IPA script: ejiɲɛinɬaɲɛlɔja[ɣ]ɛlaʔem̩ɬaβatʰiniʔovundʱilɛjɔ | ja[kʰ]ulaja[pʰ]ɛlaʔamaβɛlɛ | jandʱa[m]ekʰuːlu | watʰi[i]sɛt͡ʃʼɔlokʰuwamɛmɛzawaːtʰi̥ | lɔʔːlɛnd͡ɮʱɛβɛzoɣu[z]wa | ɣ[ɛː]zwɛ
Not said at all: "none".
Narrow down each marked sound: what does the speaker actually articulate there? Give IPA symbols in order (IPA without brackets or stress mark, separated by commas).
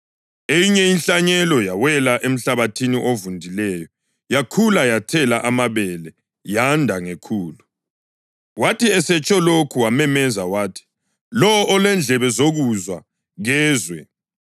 w, kʰ, tʰ, ŋ, ɛ, z, ɛː